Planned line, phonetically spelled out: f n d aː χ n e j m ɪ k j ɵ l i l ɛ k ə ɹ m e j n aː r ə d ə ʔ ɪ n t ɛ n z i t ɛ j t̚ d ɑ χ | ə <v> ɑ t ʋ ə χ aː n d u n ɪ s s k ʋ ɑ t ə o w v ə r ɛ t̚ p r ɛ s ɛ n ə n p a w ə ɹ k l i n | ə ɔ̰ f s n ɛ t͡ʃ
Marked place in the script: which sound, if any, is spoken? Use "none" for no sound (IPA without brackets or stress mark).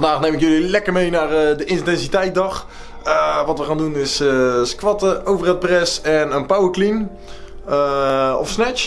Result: ʋ